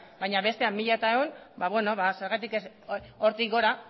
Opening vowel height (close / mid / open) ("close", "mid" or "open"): open